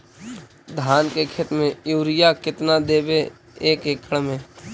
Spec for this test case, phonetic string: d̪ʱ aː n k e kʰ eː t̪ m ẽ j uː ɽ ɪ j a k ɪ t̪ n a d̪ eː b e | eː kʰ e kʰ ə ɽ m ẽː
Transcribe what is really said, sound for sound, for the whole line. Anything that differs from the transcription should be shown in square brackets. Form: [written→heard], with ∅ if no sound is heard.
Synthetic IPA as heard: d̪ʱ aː n k e kʰ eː t̪ m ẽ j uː [ɽ→ɾ] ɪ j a k ɪ t̪ n a d̪ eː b e | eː [kʰ→k] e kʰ ə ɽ m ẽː